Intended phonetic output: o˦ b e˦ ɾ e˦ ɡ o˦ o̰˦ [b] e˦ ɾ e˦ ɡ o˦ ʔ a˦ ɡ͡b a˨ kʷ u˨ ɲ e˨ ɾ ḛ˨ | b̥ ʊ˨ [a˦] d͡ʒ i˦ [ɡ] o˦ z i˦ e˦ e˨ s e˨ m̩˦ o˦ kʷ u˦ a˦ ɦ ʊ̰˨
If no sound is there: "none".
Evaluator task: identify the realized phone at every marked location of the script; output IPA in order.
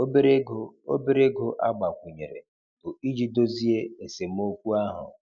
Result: b, i˦, d

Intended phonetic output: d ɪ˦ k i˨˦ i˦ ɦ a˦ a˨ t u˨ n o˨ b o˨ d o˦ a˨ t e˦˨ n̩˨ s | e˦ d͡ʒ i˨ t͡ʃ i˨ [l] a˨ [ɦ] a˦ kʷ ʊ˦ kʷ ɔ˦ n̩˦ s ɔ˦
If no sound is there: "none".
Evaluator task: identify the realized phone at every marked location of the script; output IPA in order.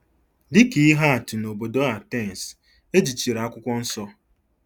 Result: ɾ, none

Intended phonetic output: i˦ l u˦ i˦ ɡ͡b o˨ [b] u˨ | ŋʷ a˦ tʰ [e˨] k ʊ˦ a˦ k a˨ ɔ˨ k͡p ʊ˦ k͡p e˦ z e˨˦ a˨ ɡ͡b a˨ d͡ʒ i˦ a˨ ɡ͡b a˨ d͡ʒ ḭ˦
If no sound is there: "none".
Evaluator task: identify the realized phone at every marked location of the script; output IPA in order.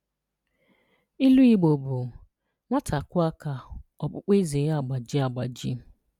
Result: b, a˨

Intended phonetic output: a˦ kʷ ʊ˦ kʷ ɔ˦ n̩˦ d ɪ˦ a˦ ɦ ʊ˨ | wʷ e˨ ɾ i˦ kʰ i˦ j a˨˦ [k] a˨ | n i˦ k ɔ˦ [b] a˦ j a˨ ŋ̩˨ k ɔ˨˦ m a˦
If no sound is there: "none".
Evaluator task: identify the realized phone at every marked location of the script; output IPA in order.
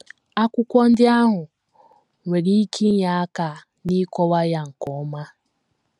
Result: k, w

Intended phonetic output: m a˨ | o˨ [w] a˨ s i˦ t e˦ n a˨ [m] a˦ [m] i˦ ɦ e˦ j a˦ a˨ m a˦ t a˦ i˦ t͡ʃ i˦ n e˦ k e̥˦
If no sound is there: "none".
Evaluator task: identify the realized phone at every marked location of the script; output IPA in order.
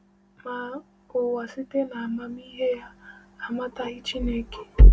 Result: w, m, m

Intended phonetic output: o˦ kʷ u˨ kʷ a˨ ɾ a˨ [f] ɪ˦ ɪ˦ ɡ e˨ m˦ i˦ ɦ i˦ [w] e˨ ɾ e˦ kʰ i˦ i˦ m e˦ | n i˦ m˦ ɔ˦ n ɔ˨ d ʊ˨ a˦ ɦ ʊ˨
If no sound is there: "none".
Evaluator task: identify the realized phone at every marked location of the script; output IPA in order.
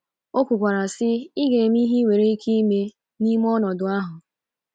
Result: s, w

